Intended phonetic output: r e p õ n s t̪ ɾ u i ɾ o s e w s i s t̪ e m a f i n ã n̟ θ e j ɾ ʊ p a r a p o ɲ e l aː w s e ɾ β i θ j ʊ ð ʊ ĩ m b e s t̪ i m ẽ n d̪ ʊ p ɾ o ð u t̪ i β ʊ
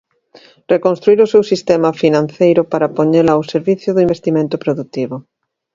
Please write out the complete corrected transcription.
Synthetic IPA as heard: r e k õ n s t̪ ɾ u i ɾ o s e w s i s t̪ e m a f i n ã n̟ θ e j ɾ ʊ p a ɾ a p o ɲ e l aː w s e ɾ β i θ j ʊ ð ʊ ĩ m b e s t̪ i m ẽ n t̪ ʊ p ɾ o ð u t̪ i β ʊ